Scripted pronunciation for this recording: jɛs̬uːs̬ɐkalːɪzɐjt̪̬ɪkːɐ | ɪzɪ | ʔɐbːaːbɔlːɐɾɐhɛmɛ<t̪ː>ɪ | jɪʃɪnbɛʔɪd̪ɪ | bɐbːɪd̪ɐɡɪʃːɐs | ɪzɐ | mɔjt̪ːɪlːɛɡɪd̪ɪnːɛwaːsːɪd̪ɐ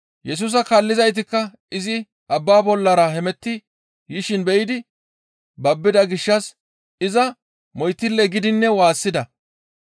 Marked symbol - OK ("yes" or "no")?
yes